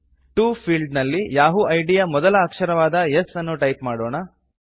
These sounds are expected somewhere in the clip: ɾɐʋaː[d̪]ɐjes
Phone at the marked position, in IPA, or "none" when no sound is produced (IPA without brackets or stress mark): d̪